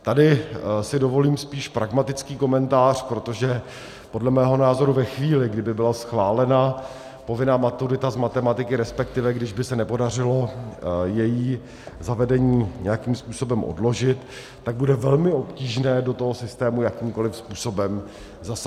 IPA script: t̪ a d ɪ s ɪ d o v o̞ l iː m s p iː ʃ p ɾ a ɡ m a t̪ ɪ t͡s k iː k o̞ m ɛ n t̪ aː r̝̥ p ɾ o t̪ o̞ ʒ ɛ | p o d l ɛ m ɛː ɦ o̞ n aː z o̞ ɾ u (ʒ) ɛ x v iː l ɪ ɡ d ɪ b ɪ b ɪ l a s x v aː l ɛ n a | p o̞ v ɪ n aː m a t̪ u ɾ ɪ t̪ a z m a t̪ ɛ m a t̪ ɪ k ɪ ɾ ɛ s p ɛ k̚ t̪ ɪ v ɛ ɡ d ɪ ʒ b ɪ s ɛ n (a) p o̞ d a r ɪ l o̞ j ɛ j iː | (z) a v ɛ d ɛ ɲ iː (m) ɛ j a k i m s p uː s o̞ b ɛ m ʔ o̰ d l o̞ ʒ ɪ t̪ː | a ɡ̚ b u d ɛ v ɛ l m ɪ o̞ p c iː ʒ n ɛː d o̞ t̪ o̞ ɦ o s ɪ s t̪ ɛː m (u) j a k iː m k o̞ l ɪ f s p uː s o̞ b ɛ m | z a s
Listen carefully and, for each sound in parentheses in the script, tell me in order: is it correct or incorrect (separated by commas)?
incorrect, incorrect, correct, incorrect, correct